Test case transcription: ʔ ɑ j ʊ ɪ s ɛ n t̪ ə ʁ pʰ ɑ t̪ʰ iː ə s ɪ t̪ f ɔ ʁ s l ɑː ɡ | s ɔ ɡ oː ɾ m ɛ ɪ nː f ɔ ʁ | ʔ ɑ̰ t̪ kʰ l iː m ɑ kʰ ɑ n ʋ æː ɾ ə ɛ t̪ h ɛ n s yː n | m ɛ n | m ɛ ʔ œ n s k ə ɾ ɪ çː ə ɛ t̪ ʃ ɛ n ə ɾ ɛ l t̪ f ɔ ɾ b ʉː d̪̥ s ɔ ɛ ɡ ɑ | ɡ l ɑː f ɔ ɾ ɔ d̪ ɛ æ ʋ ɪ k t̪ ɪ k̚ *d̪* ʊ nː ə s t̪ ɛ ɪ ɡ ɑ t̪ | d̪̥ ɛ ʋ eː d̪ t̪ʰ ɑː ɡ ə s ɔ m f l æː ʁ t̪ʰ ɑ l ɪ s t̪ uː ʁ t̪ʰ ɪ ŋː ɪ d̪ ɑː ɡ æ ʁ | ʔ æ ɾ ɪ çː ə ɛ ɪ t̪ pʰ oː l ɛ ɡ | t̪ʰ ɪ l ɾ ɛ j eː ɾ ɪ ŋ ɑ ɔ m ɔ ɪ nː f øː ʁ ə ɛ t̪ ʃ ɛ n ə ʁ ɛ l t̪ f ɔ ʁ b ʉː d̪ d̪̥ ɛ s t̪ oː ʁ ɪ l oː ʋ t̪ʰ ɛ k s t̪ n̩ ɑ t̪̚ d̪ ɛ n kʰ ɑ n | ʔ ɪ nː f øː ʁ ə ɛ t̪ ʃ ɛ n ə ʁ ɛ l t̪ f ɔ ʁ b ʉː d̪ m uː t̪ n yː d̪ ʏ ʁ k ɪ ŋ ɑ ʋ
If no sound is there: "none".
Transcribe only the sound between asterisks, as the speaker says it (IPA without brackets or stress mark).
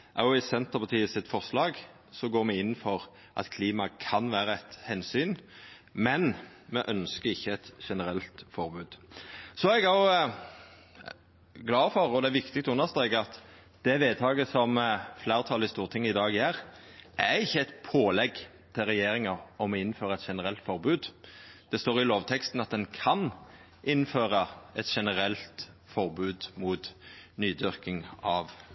t̪